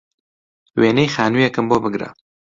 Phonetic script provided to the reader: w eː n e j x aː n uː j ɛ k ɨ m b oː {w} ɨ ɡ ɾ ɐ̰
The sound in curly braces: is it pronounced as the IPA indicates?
no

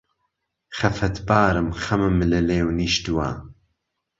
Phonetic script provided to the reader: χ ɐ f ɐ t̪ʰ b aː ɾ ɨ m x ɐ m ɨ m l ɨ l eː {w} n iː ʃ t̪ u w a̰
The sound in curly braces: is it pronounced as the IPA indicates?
yes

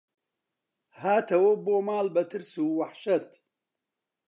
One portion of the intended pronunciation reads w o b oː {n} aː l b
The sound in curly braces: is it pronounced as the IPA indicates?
no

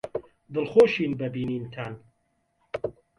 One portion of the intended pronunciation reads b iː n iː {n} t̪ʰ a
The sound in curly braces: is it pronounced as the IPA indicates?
yes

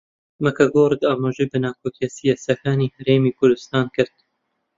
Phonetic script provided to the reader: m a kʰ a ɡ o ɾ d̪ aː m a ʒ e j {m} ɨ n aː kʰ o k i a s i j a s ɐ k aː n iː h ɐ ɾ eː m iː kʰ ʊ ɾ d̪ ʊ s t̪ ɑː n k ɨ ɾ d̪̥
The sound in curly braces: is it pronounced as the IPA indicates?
no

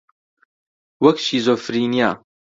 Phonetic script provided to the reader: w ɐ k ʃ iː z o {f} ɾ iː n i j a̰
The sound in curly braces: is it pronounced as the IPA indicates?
yes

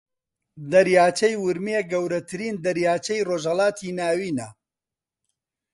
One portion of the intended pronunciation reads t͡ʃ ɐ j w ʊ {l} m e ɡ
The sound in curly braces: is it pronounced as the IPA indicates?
no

